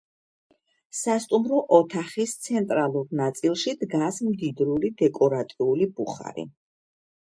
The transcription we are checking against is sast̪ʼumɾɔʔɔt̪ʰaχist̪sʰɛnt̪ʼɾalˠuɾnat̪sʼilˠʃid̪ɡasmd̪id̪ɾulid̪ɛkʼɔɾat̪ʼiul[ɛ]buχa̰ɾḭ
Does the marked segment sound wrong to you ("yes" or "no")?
yes